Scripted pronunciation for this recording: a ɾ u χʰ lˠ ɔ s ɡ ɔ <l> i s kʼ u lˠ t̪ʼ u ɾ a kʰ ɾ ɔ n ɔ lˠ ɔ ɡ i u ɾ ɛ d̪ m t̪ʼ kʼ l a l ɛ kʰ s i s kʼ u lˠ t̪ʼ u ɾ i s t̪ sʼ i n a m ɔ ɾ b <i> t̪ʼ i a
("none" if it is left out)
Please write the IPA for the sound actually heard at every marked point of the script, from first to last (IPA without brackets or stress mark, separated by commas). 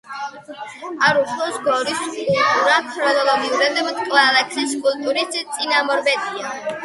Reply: ɾ, ɛ